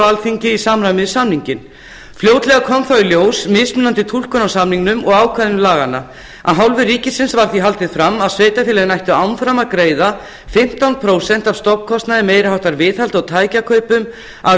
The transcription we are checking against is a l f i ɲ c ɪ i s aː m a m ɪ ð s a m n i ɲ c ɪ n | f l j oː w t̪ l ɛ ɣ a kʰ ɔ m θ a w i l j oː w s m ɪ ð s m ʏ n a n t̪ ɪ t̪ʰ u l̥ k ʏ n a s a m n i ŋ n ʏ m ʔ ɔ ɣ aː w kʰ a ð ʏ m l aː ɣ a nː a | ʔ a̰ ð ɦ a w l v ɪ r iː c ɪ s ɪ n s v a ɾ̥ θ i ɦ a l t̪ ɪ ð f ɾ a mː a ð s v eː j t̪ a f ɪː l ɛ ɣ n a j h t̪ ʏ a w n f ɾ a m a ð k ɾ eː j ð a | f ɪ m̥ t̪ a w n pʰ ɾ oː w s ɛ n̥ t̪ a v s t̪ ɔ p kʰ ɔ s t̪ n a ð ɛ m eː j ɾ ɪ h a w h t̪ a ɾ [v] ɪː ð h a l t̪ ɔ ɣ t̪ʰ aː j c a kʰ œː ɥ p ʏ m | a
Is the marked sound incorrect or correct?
correct